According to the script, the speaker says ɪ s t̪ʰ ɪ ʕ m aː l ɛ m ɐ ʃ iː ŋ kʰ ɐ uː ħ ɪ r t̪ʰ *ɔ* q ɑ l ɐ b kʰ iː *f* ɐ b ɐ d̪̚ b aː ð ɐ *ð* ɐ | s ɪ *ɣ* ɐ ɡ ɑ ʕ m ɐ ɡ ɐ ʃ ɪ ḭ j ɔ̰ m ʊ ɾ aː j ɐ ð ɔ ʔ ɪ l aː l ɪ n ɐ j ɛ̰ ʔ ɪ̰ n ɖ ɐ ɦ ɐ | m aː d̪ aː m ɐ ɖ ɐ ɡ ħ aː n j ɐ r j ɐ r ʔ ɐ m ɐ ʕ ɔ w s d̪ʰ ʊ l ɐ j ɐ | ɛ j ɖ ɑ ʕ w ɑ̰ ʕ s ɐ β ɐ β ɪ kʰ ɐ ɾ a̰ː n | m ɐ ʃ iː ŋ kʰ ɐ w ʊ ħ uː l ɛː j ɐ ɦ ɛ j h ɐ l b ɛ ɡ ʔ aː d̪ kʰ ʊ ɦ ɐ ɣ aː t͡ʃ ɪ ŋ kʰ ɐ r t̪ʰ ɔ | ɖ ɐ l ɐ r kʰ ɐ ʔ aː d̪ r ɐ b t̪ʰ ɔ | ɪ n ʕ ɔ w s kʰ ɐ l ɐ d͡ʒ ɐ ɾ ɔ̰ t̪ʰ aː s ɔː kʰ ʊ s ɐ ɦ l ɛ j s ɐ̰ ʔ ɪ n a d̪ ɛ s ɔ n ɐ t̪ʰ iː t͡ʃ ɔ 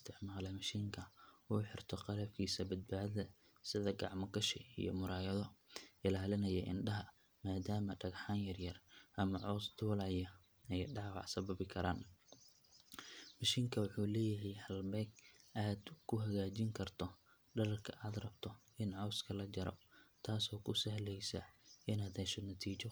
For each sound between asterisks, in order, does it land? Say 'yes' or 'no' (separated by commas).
yes, no, yes, no